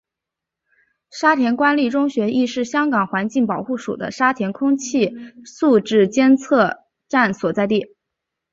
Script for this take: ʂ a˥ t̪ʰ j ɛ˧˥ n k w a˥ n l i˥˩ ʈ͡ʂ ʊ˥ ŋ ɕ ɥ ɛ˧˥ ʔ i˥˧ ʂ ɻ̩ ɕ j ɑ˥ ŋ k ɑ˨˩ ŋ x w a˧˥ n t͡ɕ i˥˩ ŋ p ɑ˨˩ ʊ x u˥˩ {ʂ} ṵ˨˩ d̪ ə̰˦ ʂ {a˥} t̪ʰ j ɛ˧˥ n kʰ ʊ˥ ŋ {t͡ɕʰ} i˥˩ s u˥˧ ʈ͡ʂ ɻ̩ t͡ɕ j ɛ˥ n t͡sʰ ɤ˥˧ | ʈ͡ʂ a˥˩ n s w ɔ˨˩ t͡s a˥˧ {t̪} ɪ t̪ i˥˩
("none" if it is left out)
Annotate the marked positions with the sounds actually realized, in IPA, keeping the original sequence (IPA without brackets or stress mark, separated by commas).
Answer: ʂ, a˥, t͡ɕʰ, none